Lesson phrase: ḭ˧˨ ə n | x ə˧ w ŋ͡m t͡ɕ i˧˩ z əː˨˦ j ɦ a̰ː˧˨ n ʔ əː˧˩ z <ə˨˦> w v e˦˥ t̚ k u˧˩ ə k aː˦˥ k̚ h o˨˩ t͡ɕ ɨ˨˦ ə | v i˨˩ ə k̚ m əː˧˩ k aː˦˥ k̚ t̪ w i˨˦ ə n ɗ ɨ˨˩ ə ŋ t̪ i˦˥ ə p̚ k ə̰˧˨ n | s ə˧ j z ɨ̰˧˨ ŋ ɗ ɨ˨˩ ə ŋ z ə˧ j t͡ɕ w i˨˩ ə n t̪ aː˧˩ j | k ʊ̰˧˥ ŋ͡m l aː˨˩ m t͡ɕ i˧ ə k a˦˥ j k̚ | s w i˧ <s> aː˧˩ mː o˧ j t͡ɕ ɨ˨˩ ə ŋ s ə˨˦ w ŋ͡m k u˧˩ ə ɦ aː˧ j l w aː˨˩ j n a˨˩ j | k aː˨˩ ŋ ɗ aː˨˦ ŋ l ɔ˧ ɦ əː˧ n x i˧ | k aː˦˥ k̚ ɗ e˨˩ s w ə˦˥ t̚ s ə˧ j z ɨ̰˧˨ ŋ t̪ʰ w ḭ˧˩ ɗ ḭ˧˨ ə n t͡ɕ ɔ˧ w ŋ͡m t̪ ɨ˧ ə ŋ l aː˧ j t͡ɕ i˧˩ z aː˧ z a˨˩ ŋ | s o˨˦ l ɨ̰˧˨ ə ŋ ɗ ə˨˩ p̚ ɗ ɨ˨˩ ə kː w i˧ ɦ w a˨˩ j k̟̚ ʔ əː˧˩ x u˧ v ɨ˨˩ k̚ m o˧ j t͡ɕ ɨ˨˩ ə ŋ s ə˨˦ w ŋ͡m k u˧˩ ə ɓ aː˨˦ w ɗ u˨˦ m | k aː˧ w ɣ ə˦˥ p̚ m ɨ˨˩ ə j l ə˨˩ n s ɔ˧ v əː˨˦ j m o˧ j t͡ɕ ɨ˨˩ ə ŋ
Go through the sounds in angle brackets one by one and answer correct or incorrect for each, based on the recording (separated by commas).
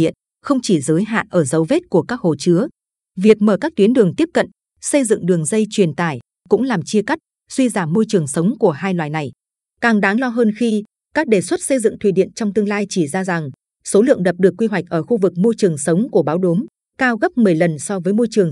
correct, incorrect